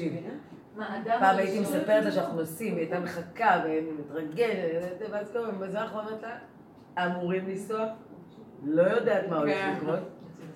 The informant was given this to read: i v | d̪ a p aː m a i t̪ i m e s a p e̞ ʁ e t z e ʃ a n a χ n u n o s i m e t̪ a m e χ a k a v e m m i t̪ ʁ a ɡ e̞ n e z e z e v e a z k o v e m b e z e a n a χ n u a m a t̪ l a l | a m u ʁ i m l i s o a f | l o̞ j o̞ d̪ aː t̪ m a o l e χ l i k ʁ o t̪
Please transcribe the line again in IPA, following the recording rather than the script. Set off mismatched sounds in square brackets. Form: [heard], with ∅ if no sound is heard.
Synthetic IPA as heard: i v | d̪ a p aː m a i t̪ i m e s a p e̞ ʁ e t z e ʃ a n a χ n u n o s i m e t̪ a m e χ a k a v e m m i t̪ ʁ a ɡ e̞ n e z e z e v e a z k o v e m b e z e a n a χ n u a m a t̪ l a [∅] | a m u ʁ i m l i s o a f | l o̞ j o̞ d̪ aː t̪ m a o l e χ l i k ʁ o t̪